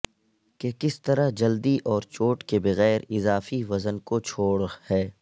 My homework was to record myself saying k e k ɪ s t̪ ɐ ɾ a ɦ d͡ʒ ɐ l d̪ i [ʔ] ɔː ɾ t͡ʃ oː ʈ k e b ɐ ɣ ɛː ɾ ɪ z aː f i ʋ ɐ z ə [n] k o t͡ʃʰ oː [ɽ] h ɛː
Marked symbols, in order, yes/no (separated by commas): yes, yes, yes